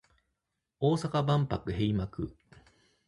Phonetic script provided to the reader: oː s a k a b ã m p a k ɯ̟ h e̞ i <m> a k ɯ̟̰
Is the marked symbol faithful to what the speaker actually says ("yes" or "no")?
yes